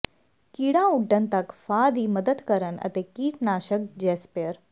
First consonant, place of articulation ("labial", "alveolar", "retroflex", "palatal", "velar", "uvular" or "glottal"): velar